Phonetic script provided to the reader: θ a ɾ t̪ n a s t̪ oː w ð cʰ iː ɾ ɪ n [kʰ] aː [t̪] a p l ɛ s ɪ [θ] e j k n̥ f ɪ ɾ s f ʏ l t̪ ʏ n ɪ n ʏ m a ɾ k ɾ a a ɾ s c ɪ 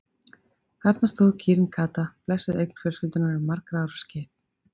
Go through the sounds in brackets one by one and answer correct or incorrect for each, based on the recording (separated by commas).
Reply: correct, correct, incorrect